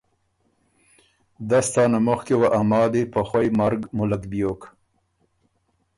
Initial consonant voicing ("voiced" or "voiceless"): voiced